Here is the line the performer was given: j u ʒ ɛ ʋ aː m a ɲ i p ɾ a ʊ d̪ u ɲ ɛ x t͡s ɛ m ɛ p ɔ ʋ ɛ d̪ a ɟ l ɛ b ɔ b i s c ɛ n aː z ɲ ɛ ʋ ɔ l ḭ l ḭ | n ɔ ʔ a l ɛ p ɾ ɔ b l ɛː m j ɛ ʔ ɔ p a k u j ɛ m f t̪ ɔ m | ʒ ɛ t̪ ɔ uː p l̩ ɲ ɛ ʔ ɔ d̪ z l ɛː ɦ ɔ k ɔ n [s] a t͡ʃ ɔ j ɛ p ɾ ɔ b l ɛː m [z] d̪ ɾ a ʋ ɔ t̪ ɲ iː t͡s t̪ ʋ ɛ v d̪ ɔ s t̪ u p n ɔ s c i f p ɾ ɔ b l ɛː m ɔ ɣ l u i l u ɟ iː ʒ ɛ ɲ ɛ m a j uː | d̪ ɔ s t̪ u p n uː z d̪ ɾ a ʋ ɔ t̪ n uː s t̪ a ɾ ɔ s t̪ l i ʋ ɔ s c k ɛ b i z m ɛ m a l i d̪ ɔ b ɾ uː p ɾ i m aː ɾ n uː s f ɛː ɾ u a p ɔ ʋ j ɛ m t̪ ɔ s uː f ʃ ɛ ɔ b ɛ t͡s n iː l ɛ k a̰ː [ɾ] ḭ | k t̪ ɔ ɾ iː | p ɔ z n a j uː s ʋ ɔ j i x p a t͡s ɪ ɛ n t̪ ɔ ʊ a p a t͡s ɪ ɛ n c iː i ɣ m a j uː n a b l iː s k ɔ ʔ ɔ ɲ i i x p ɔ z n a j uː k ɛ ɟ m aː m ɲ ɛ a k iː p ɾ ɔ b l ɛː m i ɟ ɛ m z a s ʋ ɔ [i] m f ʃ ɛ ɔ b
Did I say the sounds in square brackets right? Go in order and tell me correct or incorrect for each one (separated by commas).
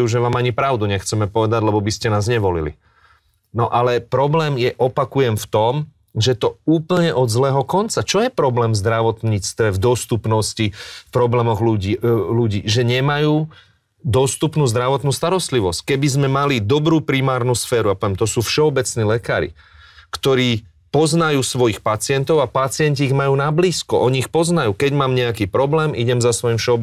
incorrect, correct, correct, correct